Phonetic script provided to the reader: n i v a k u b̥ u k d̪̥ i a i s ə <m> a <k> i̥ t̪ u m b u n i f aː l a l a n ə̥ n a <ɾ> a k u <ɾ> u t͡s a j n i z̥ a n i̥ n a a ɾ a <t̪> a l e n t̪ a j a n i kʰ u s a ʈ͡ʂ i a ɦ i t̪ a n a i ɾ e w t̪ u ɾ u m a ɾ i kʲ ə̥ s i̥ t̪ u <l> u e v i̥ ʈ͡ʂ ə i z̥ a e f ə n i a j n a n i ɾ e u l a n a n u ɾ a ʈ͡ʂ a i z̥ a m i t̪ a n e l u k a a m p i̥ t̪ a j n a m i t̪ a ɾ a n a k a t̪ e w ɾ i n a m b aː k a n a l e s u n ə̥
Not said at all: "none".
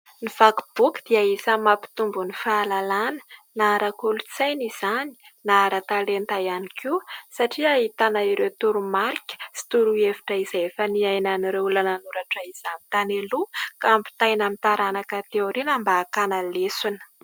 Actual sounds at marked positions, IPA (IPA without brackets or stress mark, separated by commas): m, p, ɾ, l, t̪, ɾ